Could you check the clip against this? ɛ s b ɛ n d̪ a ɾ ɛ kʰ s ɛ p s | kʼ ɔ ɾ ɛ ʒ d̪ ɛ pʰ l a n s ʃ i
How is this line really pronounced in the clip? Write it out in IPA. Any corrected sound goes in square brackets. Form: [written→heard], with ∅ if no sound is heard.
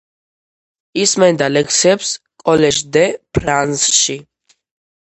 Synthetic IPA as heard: [ɛ→i] s [b→m] ɛ n d̪ a [ɾ→l] ɛ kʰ s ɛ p s | kʼ ɔ [ɾ→l] ɛ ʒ d̪ ɛ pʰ [l→ɾ] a n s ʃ i